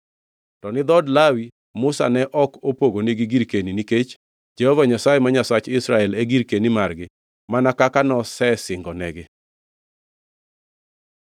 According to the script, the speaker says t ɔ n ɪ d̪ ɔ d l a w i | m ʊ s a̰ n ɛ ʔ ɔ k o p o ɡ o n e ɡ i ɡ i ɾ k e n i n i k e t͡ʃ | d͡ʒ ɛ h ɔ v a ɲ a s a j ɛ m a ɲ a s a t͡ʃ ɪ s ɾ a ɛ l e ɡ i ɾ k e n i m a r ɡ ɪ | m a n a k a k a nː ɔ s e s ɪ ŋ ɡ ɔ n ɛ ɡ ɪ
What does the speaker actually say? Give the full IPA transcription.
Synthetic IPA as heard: t ɔ n ɪ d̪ ɔ d l a w i | m ʊ s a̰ n ɛ ʔ ɔ k o p o ɡ o n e ɡ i ɡ i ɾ k e n i n i k e t͡ʃ | d͡ʒ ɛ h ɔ v a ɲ a s a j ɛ m a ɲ a s a t͡ʃ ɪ s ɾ a ɛ l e ɡ i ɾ k e n i m a r ɡ ɪ | m a n a k a k a n ɔ s ɛ s ɪ ŋ ɡ ɔ n ɛ ɡ ɪ

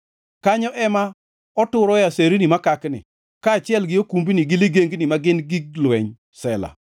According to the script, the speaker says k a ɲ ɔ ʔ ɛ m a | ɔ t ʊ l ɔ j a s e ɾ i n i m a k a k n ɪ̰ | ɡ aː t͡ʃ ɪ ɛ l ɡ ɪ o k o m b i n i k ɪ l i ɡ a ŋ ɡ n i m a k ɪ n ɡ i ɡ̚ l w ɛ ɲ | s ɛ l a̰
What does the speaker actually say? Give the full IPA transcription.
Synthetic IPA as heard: k a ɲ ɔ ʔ ɛ m a | ɔ t ʊ ɾ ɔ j a s e ɾ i n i m a k a k n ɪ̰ | k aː t͡ʃ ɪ ɛ l ɡ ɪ o k u m b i n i ɡ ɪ l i ɡ e ŋ ɡ n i m a ɡ ɪ n ɡ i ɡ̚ l w ɛ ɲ | s ɛ l a̰

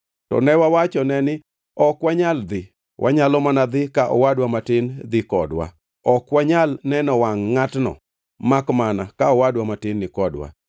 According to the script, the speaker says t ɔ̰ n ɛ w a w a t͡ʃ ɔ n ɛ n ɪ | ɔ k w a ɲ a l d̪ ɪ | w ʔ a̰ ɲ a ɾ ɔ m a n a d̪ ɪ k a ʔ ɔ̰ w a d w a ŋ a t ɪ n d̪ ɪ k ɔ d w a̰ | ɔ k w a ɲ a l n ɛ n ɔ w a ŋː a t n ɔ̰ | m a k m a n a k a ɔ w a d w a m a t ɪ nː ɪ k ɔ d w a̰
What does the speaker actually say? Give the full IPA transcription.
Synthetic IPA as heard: t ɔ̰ n ɛ w a w a t͡ʃ ɔ n ɛ n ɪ | ɔ k w a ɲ a l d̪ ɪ | w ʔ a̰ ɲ a l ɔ m a n a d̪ ɪ k a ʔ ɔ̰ w a d w a m a t ɪ n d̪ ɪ k ɔ d w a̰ | ɔ k w a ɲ a l n ɛ n ɔ w a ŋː a t n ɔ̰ | m a k m a n a k a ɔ w a d w a m a t ɪ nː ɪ k ɔ d w a̰

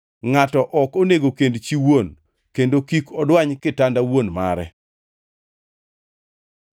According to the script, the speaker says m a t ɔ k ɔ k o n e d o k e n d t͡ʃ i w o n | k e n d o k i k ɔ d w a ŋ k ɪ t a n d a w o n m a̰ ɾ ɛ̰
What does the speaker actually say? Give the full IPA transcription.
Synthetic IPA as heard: ŋ a t ɔ ʔ ɔ k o n e ɡ o k e n d t͡ʃ i w o n | k e n d o k i k ɔ d w a ɲ k ɪ t a n d a w o n m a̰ ɾ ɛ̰

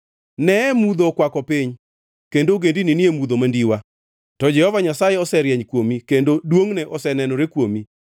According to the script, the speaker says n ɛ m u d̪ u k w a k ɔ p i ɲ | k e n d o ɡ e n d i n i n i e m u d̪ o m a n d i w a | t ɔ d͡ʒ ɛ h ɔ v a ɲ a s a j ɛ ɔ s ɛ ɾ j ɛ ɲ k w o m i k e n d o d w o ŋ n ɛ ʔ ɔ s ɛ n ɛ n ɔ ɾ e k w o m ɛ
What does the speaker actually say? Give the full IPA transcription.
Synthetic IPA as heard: n ɛ m u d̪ o k w a k ɔ p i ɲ | k e n d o ɡ e n d i n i n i e m u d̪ o m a n d i w a | t ɔ d͡ʒ ɛ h ɔ v a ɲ a s a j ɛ ɔ s ɛ ɾ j ɛ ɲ k w o m i k e n d o d w o ŋ n ɛ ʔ ɔ s ɛ n ɛ n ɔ ɾ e k w o m i

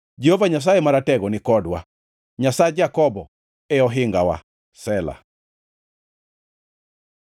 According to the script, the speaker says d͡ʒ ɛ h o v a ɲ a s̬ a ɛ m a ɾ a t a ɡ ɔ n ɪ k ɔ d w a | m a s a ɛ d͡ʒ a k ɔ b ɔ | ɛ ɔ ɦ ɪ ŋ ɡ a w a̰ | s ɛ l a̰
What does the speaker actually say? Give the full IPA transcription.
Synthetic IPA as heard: d͡ʒ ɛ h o v a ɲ a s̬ a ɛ m a ɾ a t ɛ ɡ ɔ n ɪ k ɔ d w a | ɲ a s a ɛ d͡ʒ a k ɔ b ɔ | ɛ ɔ ɦ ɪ ŋ ɡ a w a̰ | s ɛ l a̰

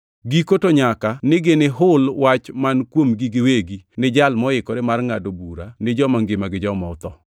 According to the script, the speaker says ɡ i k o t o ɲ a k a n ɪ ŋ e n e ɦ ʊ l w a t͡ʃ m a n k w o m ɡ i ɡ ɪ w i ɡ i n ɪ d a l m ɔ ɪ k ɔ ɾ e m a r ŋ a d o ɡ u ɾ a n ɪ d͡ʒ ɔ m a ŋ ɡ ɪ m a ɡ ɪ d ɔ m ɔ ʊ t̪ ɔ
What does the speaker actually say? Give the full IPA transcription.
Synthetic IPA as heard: ɡ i k o t o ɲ a k a n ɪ ɡ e n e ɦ ʊ l w a t͡ʃ m a n k w o m ɡ i ɡ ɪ w e ɡ i n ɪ d͡ʒ a l m ɔ ɪ k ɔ ɾ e m a r ŋ a d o b u ɾ a n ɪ d͡ʒ ɔ m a ŋ ɡ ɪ m a ɡ ɪ d͡ʒ ɔ m ɔ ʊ t̪ ɔ

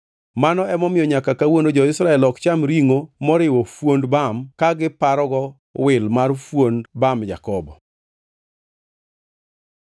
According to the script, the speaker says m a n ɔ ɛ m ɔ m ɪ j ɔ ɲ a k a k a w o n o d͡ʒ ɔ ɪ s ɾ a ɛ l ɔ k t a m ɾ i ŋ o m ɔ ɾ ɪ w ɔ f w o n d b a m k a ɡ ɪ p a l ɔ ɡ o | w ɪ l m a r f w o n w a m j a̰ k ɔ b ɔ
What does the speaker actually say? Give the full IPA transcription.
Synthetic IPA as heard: m a n ɔ ɛ m ɔ m ɪ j ɔ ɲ a k a k a w o n o d͡ʒ ɔ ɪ s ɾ a ɛ l ɔ k t͡ʃ a m ɾ i ŋ o m ɔ ɾ ɪ w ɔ f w o n d b a m k a ɡ ɪ p a ɾ ɔ ɡ ɔ | w ɪ l m a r f w o n b a m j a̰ k ɔ b ɔ

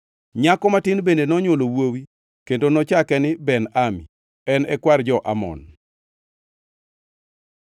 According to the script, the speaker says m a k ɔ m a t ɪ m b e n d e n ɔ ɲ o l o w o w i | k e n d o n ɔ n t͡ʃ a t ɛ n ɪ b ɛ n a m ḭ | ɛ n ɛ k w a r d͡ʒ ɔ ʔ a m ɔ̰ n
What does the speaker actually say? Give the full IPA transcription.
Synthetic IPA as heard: ɲ a k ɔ m a t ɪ n b e n d e n ɔ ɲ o l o w o w i | k e n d o n ɔ t͡ʃ a k ɛ n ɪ b ɛ n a m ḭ | ɛ n ɛ k w a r d͡ʒ ɔ ʔ a m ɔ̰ n

